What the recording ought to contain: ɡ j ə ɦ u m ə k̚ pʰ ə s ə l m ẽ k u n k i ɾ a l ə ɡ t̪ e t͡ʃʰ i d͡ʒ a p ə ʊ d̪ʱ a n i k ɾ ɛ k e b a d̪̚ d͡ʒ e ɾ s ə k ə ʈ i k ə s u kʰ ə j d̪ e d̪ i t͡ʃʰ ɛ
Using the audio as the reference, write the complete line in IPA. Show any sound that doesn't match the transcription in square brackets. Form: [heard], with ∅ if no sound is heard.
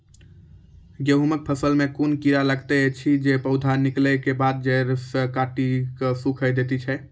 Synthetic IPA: ɡ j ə ɦ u m ə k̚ pʰ ə s ə l m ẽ k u n k i ɾ a l ə ɡ t̪ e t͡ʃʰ i d͡ʒ [e] p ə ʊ d̪ʱ a n i k [l] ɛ k e b a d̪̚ d͡ʒ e ɾ s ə k [a] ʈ i k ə s u kʰ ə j d̪ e [t̪] i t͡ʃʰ ɛ